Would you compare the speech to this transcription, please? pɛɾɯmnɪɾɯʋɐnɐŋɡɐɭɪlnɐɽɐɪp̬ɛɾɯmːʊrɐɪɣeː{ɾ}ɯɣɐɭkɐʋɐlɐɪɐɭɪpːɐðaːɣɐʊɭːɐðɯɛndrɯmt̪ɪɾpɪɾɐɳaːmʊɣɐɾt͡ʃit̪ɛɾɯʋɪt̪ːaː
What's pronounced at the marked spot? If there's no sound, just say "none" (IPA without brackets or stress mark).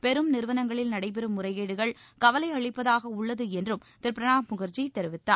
ɽ